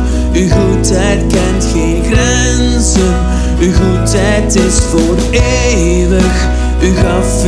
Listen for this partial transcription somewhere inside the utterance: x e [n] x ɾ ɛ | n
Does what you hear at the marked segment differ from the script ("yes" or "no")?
no